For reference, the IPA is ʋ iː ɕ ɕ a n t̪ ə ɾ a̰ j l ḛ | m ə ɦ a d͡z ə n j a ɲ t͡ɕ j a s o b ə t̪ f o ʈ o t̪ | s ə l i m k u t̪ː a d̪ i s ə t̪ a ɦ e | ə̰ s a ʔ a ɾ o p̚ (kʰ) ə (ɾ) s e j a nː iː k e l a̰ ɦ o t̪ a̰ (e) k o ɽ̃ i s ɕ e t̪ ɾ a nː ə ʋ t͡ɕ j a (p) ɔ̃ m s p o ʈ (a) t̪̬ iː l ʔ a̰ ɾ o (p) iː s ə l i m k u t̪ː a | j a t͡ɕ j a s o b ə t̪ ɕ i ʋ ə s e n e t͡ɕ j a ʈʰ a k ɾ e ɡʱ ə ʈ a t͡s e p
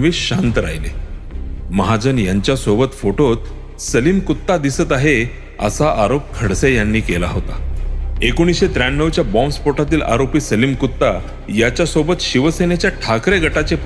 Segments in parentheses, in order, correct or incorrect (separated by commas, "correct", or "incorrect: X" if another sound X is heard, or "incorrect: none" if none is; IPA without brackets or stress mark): correct, incorrect: ɽ, correct, incorrect: b, correct, correct